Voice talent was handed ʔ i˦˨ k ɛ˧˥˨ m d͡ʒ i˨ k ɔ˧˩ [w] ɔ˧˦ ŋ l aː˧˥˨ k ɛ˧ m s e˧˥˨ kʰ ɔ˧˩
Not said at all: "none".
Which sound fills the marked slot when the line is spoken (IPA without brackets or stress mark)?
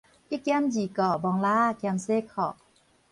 b